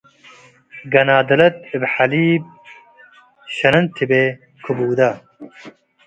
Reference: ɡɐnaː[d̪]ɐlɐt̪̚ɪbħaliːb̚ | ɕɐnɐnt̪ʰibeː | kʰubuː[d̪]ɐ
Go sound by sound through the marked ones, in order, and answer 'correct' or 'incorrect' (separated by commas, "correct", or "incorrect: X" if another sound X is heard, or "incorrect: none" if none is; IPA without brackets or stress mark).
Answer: correct, correct